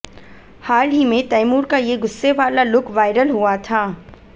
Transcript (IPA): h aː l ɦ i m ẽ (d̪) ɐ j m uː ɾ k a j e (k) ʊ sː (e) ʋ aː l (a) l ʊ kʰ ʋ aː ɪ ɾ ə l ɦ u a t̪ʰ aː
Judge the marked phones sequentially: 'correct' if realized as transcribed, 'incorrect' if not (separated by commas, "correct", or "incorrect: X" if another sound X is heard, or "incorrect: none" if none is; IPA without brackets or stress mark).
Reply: incorrect: t̪, incorrect: ɡ, correct, correct